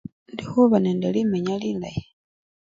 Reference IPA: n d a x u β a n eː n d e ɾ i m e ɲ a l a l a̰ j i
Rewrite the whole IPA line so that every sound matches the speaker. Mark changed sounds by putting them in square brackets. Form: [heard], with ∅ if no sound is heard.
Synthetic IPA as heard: n d [i] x u β a n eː n d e [l] i m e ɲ a l [i] l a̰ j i